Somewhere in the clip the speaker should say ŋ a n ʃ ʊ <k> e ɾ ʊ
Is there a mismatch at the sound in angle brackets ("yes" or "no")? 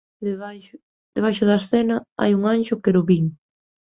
no